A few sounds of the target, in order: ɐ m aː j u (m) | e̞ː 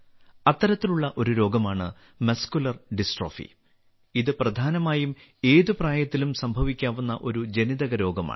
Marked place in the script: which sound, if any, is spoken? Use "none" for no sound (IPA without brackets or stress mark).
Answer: m